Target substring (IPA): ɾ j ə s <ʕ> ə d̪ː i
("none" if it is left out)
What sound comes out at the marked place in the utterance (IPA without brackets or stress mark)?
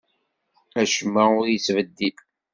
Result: v